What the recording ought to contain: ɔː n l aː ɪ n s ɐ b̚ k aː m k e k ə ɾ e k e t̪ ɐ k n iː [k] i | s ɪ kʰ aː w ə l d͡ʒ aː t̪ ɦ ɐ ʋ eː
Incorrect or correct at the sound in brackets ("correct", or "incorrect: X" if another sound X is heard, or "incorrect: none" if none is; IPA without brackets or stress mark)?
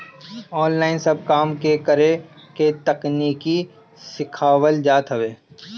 correct